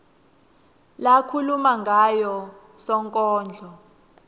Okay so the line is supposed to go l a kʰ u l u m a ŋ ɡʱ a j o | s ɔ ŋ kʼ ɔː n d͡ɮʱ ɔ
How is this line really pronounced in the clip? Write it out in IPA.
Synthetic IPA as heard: l a kʰ u l u m a ŋ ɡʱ a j ɔ | s ɔ ŋ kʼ ɔː n d͡ɮʱ ɔ